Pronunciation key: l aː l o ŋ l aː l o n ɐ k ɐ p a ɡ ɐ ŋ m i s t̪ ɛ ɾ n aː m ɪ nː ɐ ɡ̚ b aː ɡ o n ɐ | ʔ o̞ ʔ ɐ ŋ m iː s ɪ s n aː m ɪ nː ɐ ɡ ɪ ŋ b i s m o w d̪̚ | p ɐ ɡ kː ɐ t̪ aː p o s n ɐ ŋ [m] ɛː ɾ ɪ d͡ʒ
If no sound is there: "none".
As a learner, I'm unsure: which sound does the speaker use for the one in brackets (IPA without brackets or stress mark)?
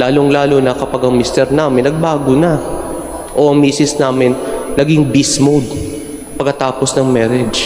m